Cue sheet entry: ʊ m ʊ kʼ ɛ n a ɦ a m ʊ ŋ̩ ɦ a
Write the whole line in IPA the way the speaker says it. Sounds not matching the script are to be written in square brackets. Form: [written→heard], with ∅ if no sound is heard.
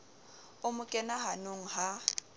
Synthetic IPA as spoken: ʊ m ʊ kʼ ɛ n a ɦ a [m→n] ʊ ŋ̩ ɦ a